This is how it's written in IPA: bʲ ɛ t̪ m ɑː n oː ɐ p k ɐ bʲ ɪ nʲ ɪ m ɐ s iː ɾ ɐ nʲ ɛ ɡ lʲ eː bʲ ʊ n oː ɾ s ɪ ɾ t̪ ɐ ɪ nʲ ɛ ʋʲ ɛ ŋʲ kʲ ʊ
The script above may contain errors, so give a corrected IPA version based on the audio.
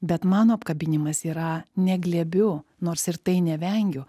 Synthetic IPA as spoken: bʲ ɛ t̪ m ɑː n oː ɐ p k ɐ bʲ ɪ nʲ ɪ m ɐ s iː ɾ ɐ nʲ ɛ ɡ lʲ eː bʲ ʊ n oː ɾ s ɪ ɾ t̪ ɐ ɪ nʲ ɛ ʋʲ ɛ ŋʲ ɡʲ ʊ

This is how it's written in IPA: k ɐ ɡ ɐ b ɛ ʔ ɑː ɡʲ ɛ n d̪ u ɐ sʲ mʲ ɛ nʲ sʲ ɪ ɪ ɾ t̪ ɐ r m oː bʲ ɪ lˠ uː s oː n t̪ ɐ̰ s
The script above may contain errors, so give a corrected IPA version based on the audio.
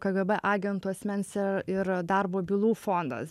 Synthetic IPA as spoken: k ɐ ɡ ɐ b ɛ ʔ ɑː ɡʲ ɛ n t̪ u ɐ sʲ mʲ ɛ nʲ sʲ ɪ ɪ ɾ d̪ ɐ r b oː bʲ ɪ lˠ uː f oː n d̪ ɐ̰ s

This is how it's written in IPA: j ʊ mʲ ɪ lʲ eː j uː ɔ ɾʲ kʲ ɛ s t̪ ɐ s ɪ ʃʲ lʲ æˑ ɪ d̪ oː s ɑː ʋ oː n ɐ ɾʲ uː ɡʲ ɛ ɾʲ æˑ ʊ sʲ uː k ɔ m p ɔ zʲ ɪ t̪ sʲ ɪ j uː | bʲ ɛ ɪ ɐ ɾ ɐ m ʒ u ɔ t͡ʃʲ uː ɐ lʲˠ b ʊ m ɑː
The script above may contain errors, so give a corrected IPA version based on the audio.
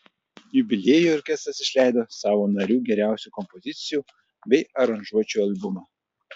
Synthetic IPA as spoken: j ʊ bʲ ɪ lʲ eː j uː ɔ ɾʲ kʲ ɛ s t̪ ɐ s ɪ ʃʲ lʲ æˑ ɪ d̪ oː s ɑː ʋ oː n ɐ ɾʲ uː ɡʲ ɛ ɾʲ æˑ ʊ sʲ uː k ɔ m p ɔ zʲ ɪ t̪ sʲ ɪ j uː | bʲ ɛ ɪ ɐ ɾ ɐ n ʒ u ɔ t͡ʃʲ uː ɐ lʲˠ b ʊ m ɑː

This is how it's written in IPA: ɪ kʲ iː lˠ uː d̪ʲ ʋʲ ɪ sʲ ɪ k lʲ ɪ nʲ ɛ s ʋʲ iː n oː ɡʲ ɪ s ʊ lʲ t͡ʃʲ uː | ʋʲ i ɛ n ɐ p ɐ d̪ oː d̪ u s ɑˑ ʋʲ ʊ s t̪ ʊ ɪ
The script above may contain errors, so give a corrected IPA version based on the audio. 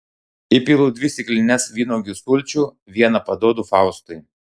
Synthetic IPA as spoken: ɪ pʲ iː lˠ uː d̪ʲ ʋʲ ɪ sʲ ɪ k lʲ ɪ nʲ ɛ s ʋʲ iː n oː ɡʲ ɪ s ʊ lʲ t͡ʃʲ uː | ʋʲ i ɛ n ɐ p ɐ d̪ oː d̪ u f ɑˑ ʊ s t̪ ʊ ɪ

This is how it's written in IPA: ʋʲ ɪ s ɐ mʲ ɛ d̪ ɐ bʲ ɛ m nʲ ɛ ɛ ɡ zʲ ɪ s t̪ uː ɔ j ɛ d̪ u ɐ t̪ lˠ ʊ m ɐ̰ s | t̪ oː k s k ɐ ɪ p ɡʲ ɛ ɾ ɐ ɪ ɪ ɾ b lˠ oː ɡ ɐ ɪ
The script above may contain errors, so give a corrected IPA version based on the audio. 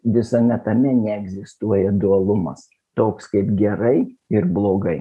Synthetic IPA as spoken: ʋʲ ɪ s ɐ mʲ ɛ t̪ ɐ mʲ ɛ nʲ ɛ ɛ ɡ zʲ ɪ s t̪ u ɔ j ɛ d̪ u ɐ lˠ ʊ m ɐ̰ s | t̪ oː k s k ɐ ɪ p ɡʲ ɛ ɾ ɐ ɪ ɪ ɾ b lˠ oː ɡ ɐ ɪ

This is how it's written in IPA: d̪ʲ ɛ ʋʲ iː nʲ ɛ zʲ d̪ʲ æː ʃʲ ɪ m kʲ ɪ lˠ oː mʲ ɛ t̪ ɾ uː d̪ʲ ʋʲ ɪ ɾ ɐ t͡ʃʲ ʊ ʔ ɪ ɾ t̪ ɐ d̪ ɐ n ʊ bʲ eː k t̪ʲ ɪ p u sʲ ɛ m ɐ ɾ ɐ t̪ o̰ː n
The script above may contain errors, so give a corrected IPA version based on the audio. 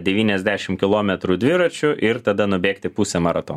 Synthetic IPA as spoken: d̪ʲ ɛ ʋʲ iː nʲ ɛ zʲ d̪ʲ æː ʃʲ ɪ m kʲ ɪ lˠ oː mʲ ɛ t̪ ɾ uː d̪ʲ ʋʲ ɪ ɾ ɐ t͡ʃʲ ʊ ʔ ɪ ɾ t̪ ɐ d̪ ɐ n ʊ bʲ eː k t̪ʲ ɪ p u sʲ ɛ m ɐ ɾ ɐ t̪ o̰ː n

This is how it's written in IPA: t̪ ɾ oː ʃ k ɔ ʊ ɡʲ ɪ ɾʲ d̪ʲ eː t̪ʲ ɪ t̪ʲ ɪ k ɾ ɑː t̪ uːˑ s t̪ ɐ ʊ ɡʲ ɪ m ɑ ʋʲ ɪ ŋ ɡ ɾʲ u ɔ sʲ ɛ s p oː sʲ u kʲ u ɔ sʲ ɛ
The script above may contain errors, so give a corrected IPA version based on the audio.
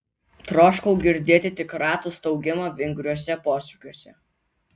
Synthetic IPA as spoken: t̪ ɾ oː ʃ k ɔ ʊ ɡʲ ɪ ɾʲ d̪ʲ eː t̪ʲ ɪ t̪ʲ ɪ k ɾ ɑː t̪ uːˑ s t̪ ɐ ʊ ɡʲ ɪ m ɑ ʋʲ ɪ ŋ ɡ ɾʲ u ɔ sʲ ɛ p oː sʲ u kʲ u ɔ sʲ ɛ

